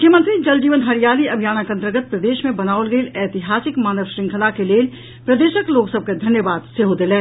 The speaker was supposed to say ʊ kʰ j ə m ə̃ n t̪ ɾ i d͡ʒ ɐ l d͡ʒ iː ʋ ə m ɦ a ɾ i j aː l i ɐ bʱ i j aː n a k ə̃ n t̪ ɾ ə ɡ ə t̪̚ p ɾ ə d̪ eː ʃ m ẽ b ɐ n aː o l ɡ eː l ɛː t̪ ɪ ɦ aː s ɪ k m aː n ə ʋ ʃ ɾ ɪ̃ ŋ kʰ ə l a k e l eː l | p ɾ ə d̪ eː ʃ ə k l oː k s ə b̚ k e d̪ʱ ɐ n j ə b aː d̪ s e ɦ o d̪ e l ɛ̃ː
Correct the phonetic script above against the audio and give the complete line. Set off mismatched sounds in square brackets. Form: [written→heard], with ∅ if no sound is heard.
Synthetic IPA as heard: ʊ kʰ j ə m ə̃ n t̪ ɾ i d͡ʒ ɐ l d͡ʒ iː ʋ ə [m→n] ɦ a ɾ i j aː l i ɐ bʱ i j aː n a k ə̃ n t̪ ɾ ə ɡ ə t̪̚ p ɾ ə d̪ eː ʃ m ẽ b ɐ n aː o l ɡ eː l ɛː t̪ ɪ ɦ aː s ɪ k m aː n ə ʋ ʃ ɾ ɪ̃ ŋ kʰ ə l a k e l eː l | p ɾ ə d̪ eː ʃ ə k l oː k s ə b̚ k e d̪ʱ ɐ n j ə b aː d̪ s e ɦ o d̪ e l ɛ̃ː